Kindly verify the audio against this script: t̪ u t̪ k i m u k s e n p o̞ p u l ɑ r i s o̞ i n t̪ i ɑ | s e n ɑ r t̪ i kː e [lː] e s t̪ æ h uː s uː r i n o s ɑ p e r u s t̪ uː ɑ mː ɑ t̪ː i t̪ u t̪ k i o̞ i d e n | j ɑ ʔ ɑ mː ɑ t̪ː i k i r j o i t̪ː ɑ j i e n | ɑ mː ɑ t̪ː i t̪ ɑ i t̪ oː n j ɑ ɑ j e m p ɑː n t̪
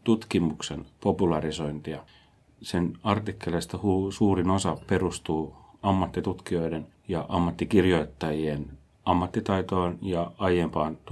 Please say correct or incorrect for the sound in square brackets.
incorrect